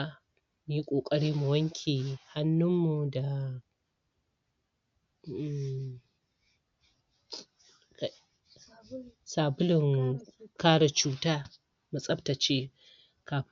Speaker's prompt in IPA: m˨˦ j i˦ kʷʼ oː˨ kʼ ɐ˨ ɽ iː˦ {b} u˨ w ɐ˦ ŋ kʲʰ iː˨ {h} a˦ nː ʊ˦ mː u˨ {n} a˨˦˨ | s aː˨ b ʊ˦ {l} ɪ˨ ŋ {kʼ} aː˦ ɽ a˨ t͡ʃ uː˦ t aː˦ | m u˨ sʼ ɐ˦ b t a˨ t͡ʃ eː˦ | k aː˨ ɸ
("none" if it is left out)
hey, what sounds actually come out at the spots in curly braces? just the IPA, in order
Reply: m, h, d, l, k

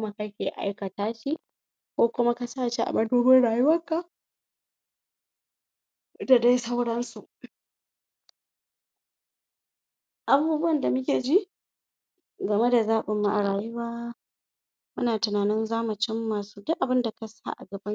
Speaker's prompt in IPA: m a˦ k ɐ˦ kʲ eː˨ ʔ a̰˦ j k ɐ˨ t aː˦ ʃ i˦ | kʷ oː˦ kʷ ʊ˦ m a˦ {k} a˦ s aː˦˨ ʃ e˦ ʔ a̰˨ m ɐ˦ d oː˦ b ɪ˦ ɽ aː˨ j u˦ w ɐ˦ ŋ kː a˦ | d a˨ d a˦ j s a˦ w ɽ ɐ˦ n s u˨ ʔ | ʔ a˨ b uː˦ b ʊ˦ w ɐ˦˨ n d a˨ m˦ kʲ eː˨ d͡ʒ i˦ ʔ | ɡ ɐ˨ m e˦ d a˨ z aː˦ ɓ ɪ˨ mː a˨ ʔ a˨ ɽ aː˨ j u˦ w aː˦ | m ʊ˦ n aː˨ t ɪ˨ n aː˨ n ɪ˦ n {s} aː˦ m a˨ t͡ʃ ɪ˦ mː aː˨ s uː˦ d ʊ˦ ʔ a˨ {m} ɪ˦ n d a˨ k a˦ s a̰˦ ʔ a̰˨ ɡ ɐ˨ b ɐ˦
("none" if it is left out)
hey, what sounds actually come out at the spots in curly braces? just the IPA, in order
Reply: k, z, b

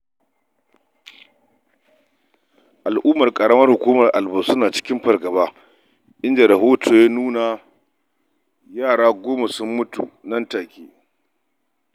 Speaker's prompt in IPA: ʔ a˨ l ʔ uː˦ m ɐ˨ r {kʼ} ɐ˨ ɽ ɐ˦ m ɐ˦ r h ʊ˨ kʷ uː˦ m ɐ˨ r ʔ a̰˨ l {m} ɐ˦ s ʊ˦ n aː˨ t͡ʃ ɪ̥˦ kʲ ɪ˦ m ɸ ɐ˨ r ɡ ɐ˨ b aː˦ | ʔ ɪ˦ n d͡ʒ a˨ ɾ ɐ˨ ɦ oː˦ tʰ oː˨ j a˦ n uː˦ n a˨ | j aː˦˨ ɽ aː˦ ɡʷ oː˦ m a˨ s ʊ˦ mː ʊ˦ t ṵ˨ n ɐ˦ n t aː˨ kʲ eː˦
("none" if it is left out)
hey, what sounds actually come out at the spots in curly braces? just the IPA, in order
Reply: kʼ, b

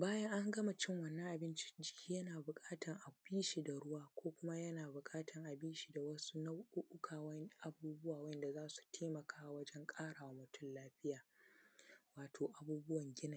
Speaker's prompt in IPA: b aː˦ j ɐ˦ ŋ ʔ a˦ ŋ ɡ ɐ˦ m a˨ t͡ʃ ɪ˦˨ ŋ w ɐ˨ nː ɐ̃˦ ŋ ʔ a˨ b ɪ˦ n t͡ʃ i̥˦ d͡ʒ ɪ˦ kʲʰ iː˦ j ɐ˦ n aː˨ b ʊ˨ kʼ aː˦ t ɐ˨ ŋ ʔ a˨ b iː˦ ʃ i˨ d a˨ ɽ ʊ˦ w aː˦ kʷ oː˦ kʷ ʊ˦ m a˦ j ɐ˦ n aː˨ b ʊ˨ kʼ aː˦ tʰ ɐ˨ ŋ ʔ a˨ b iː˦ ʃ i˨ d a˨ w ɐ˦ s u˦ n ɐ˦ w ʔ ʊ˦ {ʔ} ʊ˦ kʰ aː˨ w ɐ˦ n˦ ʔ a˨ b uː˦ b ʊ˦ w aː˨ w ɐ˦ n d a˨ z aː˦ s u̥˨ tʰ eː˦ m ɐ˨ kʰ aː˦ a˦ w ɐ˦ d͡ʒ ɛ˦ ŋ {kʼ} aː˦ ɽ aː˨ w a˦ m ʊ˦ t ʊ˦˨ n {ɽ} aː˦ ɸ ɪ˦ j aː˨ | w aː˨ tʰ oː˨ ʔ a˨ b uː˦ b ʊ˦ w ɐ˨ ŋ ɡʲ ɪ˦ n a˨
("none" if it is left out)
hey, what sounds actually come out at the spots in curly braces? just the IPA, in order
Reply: ʔ, kʼ, l

